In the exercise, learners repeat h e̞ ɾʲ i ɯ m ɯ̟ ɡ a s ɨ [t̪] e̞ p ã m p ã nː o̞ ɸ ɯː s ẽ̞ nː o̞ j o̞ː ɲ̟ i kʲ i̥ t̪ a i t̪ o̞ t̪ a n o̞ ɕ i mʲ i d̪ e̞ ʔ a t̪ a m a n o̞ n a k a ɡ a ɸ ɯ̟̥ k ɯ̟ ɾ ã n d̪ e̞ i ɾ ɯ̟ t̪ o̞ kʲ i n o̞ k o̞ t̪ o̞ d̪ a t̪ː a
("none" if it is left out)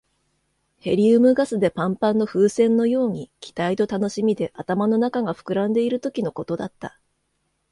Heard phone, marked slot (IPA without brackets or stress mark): d̪